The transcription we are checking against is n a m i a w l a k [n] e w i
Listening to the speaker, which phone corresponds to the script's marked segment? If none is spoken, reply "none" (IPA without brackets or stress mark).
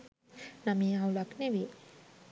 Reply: n